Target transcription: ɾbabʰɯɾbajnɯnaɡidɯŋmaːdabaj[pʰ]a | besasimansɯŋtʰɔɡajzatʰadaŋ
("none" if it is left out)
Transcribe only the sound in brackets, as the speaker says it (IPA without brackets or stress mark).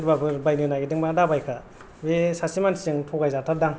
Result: kʰ